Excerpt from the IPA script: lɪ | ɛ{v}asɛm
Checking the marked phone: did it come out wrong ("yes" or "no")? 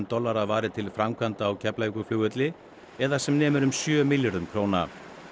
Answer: yes